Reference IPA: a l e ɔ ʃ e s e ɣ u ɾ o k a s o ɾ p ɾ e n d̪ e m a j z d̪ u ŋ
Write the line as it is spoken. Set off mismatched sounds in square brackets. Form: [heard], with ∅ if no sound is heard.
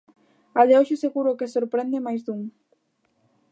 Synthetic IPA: a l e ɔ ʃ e s e ɣ u ɾ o k [e] s o ɾ p ɾ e n d̪ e m a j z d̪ u ŋ